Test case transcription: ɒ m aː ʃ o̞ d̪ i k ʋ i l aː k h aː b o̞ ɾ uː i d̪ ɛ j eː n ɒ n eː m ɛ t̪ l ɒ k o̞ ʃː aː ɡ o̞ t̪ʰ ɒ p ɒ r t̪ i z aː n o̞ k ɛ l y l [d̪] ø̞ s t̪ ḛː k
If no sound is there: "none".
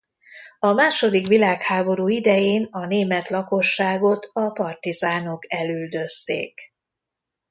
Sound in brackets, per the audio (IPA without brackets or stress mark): d̪